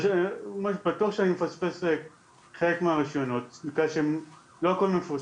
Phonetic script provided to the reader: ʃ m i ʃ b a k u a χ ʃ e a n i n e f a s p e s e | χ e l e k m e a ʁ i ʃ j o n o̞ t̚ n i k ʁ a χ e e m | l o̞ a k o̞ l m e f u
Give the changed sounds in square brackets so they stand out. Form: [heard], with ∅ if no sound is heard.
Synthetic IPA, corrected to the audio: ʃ m [a] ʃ b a [t] u a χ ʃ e a n i [m] e f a s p e s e | χ e l e k m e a ʁ i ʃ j o n o̞ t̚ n i k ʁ a [ʃ] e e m | l o̞ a k o̞ l m e f u